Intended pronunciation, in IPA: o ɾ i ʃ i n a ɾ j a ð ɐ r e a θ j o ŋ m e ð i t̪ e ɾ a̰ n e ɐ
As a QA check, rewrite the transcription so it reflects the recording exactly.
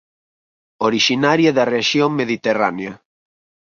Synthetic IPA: o ɾ i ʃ i n a ɾ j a ð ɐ r e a ʃ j o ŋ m e ð i t̪ e r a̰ n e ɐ

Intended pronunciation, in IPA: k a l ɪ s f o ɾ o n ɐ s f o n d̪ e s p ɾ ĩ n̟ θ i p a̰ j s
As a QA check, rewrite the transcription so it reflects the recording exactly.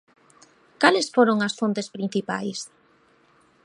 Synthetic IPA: k a l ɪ s f o ɾ o ŋ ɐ s f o n t̪ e s p ɾ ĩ n̟ θ i p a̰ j s

